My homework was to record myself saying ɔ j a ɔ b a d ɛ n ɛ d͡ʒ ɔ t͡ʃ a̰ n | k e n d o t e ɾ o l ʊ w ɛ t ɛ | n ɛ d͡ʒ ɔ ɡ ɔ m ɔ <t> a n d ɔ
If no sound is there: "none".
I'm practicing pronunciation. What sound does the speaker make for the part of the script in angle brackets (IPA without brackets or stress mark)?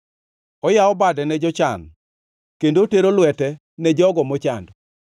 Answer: t͡ʃ